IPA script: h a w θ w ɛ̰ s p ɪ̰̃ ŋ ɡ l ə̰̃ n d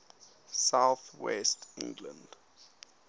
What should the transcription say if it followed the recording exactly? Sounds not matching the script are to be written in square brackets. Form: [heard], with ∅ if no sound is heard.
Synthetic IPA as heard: [s] a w θ w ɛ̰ s [t] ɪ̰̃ ŋ ɡ l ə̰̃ n d